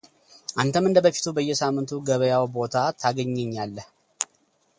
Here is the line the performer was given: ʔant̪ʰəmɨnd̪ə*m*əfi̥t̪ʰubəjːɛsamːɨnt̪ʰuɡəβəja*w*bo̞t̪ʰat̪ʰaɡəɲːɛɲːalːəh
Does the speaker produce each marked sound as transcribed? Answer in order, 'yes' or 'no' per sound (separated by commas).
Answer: no, yes